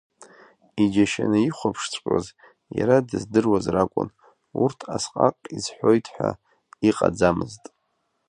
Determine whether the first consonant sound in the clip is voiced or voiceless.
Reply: voiced